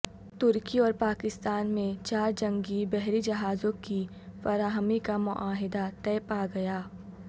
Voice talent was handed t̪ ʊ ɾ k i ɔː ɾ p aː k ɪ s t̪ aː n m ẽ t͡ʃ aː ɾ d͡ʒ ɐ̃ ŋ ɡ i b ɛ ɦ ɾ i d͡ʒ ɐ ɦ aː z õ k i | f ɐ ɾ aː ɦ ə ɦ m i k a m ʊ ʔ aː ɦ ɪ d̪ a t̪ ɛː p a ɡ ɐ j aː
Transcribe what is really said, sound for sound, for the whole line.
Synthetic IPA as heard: t̪ ʊ ɾ k i ɔː ɾ p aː k ɪ s t̪ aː n m ẽ t͡ʃ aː ɾ d͡ʒ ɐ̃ ŋ ɡ i b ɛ ɦ ɾ i d͡ʒ ɐ ɦ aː z õ k i | f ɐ ɾ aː ɦ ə m i k a m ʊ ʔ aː ɦ ɪ d̪ a t̪ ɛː p a ɡ ɐ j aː